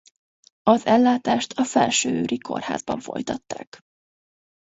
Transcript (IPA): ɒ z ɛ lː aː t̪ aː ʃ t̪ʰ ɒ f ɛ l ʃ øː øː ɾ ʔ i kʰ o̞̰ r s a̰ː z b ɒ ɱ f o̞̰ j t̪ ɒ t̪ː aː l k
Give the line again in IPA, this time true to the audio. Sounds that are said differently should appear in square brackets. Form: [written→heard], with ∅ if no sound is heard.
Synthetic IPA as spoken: ɒ z ɛ lː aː t̪ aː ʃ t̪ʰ ɒ f ɛ l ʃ øː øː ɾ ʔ i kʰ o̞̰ r [s→h] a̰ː z b ɒ ɱ f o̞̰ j t̪ ɒ t̪ː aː [l→∅] k